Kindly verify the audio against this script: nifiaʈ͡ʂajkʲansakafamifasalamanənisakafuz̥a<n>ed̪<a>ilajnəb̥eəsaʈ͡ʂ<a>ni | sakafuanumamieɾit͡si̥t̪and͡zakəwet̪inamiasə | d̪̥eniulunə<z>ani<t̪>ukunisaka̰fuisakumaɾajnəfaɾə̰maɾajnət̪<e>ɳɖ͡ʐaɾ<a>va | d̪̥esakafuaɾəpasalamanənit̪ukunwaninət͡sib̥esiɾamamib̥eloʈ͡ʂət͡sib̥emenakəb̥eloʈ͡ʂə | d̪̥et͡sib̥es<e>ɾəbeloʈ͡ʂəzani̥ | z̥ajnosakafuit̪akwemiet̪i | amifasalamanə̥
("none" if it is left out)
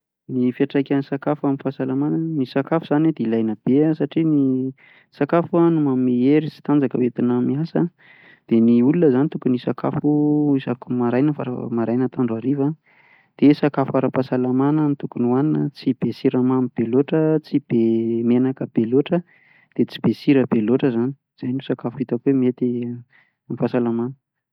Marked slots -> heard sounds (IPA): n, e, i, z, t̪, a, i, i

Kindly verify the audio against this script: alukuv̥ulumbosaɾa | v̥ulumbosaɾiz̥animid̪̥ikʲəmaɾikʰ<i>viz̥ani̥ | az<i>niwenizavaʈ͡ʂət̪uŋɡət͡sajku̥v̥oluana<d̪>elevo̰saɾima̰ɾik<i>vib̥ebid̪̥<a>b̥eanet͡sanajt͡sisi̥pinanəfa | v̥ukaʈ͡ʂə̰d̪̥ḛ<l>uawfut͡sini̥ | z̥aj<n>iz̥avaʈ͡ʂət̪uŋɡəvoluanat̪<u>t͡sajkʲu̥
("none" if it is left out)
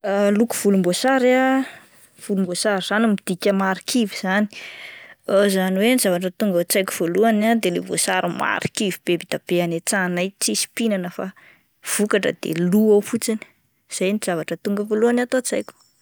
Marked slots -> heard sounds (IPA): i, a, d̪, i, a, l, n, o

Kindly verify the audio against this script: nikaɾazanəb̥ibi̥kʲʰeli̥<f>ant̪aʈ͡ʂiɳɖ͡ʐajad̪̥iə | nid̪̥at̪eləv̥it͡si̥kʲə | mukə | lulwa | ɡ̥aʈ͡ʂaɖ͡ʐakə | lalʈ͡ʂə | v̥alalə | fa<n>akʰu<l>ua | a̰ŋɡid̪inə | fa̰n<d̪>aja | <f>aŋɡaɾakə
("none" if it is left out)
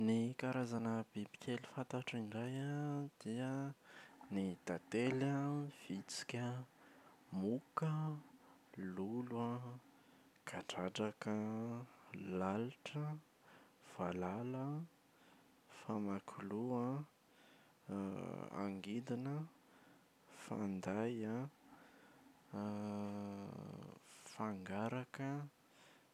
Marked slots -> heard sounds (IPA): f, m, l, d̪, f

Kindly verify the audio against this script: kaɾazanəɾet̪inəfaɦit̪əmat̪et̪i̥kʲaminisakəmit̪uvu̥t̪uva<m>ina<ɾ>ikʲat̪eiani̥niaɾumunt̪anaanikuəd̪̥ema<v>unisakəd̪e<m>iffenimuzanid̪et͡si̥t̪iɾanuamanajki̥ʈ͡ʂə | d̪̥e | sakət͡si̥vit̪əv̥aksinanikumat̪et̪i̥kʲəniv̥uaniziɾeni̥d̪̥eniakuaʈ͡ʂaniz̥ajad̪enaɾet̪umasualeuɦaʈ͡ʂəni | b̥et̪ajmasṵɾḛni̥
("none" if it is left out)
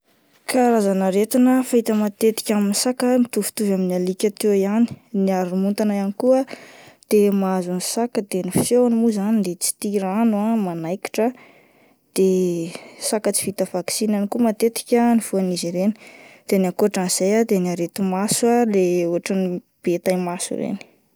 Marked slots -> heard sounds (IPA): m, l, z, n

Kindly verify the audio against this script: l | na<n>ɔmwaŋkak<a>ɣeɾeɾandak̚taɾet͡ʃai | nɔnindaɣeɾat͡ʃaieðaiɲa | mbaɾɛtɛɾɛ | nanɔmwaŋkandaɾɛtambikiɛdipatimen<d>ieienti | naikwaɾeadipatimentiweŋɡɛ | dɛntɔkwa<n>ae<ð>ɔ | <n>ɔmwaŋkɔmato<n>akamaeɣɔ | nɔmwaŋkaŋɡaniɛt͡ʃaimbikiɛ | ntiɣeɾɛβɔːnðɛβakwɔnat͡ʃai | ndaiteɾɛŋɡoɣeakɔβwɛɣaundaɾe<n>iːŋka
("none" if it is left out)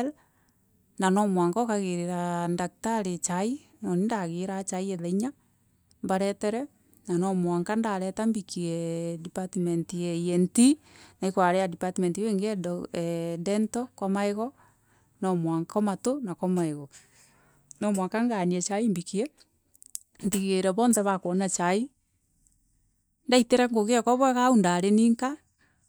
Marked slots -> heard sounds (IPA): n, a, t, m, ɣ, n, n, n

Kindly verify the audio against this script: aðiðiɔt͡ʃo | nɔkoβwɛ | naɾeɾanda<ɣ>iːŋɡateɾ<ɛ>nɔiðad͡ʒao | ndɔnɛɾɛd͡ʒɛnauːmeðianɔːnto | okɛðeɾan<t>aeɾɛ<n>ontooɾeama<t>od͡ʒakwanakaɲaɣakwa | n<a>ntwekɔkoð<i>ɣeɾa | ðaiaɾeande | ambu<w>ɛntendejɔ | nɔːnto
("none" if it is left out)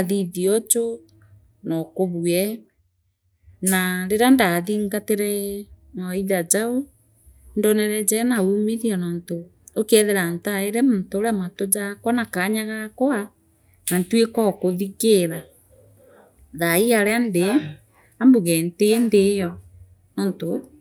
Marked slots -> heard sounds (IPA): ð, ɛ, t, m, t, a, i, ɣ

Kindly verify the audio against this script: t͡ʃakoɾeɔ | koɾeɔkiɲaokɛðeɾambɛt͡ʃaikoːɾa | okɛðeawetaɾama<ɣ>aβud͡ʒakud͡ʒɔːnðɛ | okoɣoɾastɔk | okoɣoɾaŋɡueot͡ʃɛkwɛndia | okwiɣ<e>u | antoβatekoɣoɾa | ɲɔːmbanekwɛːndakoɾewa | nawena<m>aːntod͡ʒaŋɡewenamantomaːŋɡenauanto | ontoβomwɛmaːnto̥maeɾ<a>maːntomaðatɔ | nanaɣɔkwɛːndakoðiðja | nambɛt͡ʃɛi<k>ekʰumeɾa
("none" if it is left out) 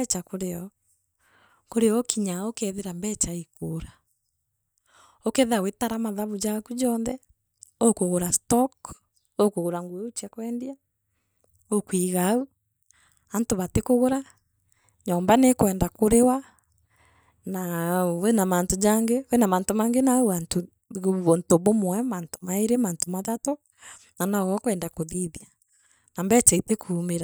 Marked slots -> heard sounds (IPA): ð, a, m, e, t

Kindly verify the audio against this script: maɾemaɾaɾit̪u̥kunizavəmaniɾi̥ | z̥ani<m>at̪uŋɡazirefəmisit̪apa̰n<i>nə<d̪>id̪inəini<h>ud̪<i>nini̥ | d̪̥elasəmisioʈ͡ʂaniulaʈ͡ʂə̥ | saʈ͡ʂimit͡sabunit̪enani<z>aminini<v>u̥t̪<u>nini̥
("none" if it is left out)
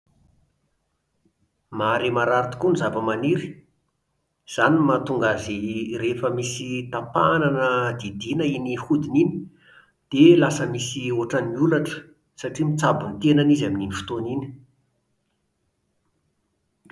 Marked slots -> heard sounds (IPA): m, a, d̪, h, i, z, f, o

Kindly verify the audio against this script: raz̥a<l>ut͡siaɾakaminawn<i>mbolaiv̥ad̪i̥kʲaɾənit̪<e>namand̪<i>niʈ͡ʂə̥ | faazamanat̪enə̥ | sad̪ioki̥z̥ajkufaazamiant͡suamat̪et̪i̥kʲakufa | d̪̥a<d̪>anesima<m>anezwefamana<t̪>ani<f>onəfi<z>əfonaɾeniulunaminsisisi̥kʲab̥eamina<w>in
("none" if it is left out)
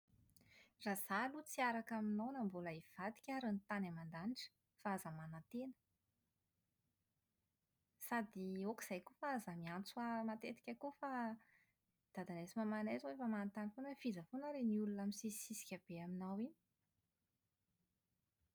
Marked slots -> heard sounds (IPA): l, a, a, a, d̪, m, t̪, f, z, w

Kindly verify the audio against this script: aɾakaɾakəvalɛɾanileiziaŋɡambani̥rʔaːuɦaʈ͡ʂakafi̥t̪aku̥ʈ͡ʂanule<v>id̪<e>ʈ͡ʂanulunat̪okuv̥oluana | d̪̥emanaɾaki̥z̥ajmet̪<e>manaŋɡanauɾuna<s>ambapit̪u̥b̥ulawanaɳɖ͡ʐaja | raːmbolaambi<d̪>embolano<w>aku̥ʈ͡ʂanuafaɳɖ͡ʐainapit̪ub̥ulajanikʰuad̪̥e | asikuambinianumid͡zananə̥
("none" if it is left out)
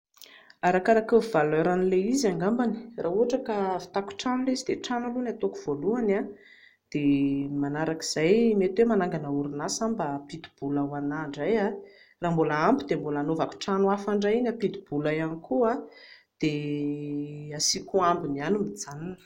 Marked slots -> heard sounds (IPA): z, e, e, s, d̪, v

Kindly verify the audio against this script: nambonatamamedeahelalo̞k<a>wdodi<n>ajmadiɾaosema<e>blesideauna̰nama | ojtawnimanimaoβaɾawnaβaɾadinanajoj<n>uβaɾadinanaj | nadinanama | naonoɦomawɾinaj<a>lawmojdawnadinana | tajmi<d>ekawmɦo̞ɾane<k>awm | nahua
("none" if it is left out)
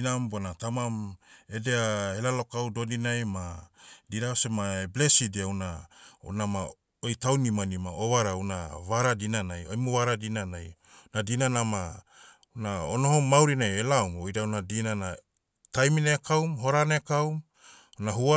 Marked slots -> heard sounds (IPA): a, n, e, m, e, n, k

